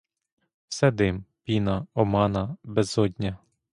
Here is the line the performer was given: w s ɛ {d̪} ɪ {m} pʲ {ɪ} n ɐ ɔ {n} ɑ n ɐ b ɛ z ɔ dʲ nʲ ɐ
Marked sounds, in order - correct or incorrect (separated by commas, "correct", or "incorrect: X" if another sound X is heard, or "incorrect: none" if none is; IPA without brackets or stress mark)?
correct, correct, incorrect: i, incorrect: m